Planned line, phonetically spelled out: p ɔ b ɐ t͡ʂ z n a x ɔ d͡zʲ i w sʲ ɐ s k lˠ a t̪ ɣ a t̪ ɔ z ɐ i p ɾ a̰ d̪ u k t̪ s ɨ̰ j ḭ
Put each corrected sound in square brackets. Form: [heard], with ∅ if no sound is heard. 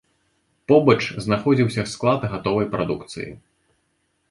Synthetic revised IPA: p ɔ b ɐ t͡ʂ z n a x ɔ d͡zʲ i w sʲ ɐ s k lˠ a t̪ ɣ a t̪ ɔ [v] ɐ [j] p ɾ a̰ d̪ u k t̪ s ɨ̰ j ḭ